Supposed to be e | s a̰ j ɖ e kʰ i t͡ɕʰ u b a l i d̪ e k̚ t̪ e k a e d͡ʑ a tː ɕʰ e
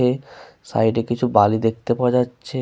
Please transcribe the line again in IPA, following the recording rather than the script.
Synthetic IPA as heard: e | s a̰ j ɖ e k i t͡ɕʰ u b a l i d̪ e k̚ t̪ e p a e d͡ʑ a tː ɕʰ e